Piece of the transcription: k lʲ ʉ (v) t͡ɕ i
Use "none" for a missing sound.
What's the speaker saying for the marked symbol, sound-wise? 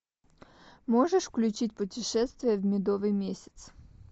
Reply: none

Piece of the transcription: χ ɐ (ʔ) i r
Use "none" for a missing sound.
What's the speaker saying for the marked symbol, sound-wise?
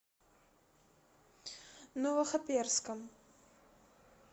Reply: p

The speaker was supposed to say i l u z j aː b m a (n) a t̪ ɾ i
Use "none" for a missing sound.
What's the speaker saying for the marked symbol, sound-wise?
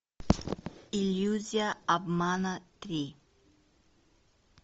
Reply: n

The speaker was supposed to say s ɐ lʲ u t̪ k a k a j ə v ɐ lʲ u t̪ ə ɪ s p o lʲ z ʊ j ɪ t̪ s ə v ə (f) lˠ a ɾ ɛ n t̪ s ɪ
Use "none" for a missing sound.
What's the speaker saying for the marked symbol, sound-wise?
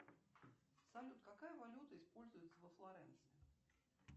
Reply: f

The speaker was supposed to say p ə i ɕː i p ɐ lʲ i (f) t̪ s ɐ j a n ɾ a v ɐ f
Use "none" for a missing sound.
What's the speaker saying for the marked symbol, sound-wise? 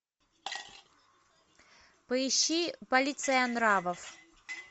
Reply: none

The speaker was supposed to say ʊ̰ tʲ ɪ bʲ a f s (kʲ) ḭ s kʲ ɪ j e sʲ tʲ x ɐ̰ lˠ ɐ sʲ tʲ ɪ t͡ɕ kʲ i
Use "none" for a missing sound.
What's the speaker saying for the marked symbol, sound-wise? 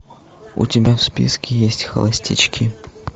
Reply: pʲ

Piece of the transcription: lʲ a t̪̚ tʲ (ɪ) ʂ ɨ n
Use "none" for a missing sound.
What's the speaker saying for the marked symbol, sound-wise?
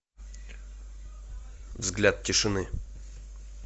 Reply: ɪ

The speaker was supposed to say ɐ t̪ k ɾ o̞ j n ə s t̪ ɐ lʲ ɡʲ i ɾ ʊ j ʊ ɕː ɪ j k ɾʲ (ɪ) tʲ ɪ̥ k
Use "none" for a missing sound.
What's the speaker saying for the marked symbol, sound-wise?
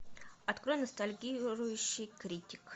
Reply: i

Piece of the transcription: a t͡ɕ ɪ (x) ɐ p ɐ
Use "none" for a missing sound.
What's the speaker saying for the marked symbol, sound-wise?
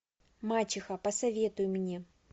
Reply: x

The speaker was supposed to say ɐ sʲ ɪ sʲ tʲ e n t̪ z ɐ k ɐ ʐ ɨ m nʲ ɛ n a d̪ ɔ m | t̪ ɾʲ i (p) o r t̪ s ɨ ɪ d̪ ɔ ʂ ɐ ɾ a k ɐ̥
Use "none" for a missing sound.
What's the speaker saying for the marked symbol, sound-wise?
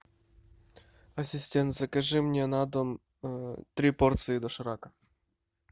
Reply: p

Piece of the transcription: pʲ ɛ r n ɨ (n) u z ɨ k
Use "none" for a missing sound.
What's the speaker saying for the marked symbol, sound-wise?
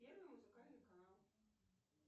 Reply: m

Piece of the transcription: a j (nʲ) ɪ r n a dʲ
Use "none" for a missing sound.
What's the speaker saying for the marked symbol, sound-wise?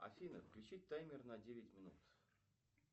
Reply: mʲ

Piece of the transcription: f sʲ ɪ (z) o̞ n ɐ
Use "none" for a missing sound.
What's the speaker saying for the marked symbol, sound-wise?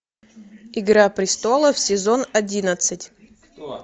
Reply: z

